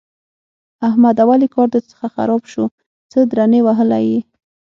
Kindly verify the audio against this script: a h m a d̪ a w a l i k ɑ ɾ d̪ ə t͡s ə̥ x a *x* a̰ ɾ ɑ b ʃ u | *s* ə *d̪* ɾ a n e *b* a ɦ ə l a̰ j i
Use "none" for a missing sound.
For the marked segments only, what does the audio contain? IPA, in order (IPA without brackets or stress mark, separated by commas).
x, t͡s, d̪, w